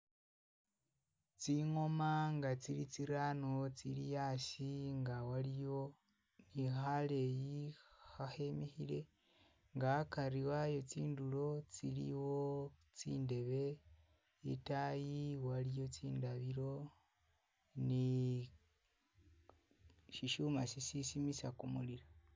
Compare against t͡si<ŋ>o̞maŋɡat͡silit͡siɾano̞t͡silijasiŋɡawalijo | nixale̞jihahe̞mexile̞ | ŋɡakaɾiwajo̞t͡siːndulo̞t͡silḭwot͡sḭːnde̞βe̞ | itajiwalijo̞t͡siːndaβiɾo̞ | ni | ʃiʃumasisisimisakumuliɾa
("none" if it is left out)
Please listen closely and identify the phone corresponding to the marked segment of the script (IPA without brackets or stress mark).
ŋ